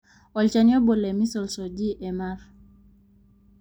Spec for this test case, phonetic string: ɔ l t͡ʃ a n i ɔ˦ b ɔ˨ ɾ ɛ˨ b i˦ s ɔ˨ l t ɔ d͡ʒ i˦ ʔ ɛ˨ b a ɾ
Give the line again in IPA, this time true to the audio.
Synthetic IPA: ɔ l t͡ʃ a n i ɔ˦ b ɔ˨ l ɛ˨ m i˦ s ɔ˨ l s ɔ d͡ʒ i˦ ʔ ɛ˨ m a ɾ